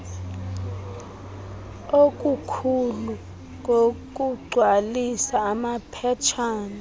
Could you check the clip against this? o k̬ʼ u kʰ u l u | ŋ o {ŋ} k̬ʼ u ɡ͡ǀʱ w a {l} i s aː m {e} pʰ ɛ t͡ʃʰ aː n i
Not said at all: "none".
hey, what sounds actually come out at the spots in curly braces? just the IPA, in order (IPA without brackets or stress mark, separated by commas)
none, l, a